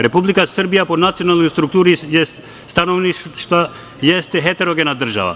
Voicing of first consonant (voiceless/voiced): voiced